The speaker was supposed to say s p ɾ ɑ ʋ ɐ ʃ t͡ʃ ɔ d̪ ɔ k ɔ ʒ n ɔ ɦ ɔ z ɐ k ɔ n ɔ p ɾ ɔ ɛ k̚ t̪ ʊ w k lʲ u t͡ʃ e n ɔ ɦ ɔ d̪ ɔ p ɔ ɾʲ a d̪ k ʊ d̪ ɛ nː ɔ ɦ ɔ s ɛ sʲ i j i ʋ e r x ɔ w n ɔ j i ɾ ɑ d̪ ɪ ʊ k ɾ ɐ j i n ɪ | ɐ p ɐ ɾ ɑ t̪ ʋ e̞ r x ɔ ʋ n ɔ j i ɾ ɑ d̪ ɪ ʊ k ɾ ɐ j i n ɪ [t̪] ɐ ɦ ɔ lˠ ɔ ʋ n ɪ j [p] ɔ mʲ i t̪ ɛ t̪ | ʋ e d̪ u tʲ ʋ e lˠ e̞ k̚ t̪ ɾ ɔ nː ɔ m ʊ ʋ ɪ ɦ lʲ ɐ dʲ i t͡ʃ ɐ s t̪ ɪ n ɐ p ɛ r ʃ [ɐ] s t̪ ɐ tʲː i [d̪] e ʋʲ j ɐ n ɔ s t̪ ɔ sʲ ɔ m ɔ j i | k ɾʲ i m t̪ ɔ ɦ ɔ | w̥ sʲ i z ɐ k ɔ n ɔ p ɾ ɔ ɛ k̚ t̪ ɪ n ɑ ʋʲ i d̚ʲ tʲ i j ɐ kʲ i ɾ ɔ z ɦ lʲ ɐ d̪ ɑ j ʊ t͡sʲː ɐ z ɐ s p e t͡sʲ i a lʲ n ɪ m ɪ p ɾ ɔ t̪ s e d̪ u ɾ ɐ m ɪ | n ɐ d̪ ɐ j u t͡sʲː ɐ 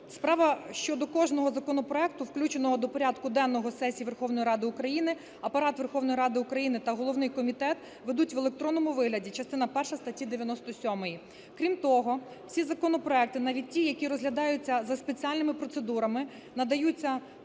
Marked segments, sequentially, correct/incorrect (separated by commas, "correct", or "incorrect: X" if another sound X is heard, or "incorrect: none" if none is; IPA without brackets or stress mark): correct, incorrect: k, correct, correct